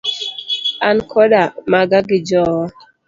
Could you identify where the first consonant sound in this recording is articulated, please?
alveolar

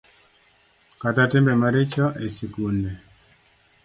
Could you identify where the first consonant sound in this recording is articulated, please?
velar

